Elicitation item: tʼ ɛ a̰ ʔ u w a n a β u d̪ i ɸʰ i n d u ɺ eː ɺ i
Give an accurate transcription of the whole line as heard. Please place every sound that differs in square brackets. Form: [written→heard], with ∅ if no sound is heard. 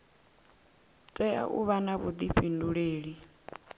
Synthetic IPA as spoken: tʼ ɛ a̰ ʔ u [w→β] a n a β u d̪ i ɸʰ i n d u ɺ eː ɺ i